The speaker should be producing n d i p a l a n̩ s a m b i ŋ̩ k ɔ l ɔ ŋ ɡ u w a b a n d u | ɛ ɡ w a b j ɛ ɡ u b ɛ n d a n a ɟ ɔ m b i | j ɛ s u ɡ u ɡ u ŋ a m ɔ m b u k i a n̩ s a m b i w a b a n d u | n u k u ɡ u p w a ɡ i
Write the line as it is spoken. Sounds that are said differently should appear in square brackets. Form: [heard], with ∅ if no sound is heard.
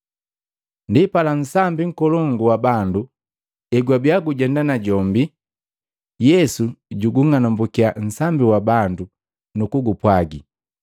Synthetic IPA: n d i p a l a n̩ s a m b i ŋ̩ k ɔ l ɔ ŋ ɡ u w a b a n d u | ɛ ɡ w a b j [a] ɡ u [ɟ] ɛ n d a n a ɟ ɔ m b i | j ɛ s u [ɟ] u ɡ u ŋ a [n] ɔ m b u k i a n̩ s a m b i w a b a n d u | n u k u ɡ u p w a ɡ i